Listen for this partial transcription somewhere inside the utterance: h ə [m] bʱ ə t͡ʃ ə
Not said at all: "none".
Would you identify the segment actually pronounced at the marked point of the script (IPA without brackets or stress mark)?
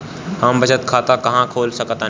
m